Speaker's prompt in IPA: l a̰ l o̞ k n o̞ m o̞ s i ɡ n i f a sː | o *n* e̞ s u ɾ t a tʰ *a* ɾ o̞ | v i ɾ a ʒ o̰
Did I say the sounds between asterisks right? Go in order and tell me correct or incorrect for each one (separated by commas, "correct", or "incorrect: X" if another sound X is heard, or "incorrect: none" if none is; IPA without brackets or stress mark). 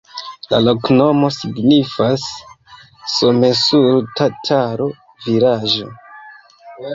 incorrect: m, correct